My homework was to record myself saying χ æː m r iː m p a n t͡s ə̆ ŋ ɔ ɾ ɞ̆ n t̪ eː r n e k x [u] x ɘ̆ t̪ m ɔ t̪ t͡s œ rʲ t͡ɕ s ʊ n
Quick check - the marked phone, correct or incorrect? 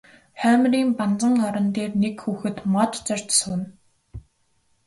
incorrect